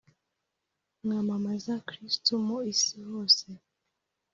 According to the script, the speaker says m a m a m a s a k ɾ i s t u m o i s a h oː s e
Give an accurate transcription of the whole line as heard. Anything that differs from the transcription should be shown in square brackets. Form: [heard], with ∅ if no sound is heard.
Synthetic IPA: [ŋ] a m a m a [z] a k ɾ i s t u m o i s [i] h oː s e